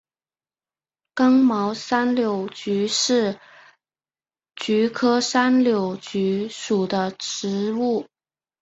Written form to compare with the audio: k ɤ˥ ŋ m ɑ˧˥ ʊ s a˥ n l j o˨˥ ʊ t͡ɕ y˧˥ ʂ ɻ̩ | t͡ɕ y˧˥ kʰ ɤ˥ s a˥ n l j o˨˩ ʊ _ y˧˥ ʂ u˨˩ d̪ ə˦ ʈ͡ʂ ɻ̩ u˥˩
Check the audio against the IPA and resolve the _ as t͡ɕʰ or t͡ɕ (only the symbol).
t͡ɕ